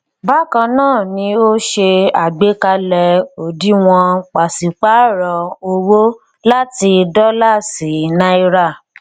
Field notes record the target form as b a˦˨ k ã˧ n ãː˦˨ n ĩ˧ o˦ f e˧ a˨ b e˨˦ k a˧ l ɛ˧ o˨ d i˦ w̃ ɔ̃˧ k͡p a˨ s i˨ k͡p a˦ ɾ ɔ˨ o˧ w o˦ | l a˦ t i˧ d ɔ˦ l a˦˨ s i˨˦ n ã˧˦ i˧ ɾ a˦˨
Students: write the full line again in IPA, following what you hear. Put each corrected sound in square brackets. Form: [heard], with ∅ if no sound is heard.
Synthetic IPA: b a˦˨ k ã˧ n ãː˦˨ n ĩ˧ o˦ [ʃ] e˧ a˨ [ɡ͡b] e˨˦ k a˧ l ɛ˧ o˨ d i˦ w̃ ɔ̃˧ k͡p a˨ s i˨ k͡p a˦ ɾ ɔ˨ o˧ w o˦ | l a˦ t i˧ d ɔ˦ l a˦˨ s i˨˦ n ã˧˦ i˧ ɾ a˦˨